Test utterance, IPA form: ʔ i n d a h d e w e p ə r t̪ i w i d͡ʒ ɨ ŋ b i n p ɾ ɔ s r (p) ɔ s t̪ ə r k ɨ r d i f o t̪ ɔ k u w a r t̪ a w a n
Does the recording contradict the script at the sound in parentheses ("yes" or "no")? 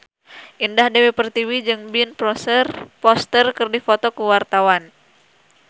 no